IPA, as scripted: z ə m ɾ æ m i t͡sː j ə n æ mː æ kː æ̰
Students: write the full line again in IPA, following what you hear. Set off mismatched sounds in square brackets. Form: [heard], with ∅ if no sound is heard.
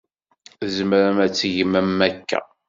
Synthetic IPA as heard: z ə m ɾ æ m [æ] t͡sː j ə [m] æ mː æ kː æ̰

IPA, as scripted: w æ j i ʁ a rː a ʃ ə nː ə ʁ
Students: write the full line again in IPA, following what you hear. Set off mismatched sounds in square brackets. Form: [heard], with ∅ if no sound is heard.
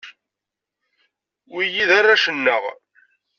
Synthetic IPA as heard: w [i] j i [ð] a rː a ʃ ə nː ə ʁ

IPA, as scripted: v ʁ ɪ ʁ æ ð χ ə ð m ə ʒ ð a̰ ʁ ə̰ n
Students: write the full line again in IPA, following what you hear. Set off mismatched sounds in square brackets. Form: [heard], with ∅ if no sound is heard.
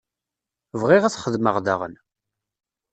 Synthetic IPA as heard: v ʁ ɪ ʁ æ [θ] χ ə ð m ə [ʁ] ð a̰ ʁ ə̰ n

